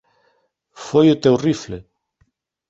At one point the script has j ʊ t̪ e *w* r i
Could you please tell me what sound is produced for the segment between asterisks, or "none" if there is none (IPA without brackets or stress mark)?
w